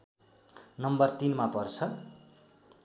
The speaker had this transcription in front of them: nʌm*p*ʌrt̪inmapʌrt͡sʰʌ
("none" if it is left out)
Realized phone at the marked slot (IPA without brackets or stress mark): b